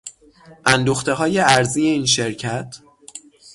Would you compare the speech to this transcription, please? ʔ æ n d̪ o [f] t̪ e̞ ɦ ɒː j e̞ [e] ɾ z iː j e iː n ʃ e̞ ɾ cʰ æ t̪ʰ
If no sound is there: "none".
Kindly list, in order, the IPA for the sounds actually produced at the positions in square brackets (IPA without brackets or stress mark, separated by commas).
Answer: x, æ